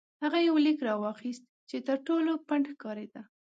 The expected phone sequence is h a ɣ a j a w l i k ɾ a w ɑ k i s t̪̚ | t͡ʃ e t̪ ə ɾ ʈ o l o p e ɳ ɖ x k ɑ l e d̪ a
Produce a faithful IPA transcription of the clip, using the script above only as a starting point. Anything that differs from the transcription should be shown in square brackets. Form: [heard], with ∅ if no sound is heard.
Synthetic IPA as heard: h a ɣ a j a w l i k ɾ [ɑ] w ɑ [x] i s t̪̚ | t͡ʃ e t̪ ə ɾ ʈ o l o p [a] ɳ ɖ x k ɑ [ɾ] e d̪ a